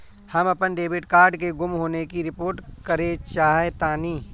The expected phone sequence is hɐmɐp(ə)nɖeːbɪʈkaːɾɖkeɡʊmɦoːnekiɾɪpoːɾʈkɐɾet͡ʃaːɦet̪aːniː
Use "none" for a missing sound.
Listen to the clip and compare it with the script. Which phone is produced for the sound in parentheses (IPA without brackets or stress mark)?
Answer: ə